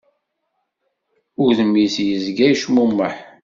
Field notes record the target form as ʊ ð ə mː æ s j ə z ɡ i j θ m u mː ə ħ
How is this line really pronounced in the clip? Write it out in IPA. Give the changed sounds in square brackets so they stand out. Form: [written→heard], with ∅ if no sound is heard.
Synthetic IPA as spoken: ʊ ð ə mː [æ→i] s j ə z ɡ [i→æ] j [θ→ʃ] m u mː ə ħ